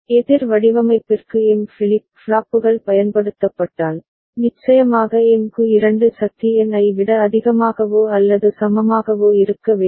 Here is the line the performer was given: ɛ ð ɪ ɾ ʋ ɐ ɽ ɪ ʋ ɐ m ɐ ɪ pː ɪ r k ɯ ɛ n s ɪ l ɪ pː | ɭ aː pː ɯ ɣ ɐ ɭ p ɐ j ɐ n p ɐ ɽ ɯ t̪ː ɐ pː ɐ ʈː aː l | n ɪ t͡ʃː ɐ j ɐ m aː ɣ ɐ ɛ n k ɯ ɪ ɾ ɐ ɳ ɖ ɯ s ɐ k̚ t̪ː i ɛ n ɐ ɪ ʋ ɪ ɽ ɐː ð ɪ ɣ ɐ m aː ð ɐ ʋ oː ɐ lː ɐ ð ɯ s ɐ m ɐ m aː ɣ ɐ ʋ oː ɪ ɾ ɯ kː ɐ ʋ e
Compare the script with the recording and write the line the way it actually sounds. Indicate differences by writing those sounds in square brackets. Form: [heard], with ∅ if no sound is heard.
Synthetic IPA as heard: ɛ ð ɪ ɾ ʋ ɐ ɽ ɪ ʋ ɐ m ɐ ɪ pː ɪ r k ɯ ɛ n [f] ɪ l ɪ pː | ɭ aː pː ɯ ɣ ɐ ɭ p ɐ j ɐ n p ɐ ɽ ɯ t̪ː ɐ pː ɐ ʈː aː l | n ɪ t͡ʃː ɐ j ɐ m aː ɣ ɐ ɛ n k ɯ ɪ ɾ ɐ ɳ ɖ ɯ s ɐ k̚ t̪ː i ɛ n ɐ ɪ ʋ ɪ ɽ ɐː ð ɪ ɣ ɐ m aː [ɣ] ɐ ʋ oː ɐ lː ɐ ð ɯ s ɐ m ɐ m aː ɣ ɐ ʋ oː ɪ ɾ ɯ kː ɐ ʋ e